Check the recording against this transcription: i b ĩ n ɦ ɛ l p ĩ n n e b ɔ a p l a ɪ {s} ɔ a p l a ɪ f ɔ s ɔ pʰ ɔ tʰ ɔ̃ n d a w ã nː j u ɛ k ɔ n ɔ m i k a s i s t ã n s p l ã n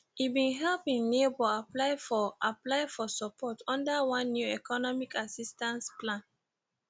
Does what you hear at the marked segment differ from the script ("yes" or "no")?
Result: yes